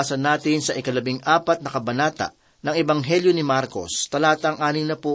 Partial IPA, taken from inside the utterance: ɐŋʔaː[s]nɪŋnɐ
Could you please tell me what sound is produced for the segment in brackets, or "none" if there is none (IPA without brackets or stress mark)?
none